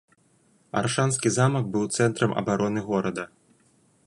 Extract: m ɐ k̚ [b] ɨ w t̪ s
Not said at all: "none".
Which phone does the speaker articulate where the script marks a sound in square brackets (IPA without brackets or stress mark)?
b